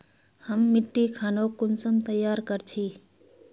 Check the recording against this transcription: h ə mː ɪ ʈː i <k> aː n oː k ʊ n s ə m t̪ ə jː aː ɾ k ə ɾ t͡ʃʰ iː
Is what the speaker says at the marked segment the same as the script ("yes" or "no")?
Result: no